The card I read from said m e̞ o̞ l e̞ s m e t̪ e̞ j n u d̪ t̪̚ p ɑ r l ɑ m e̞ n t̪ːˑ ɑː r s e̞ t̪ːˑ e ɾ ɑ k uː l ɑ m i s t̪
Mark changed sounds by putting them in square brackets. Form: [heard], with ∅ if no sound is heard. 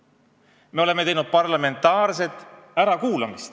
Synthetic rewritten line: m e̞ o̞ l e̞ [∅] m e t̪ e̞ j n u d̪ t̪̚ p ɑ r l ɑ m e̞ n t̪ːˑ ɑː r s e̞ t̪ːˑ [æ] ɾ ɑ k uː l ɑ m i s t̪